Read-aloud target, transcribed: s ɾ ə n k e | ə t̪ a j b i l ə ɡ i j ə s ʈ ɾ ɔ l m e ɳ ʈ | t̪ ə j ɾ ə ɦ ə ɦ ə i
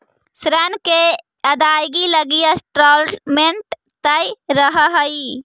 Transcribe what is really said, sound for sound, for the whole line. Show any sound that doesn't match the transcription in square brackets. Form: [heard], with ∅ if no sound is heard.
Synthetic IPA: s ɾ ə n k e | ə [d̪] a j [ɡ] i l ə ɡ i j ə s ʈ ɾ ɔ l m e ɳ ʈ | t̪ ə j ɾ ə ɦ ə ɦ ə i